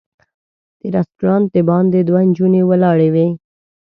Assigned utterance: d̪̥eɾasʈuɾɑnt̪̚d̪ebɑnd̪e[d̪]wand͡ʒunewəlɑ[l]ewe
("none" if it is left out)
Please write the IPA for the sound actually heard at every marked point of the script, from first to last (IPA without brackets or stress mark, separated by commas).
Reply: d̪, ɽ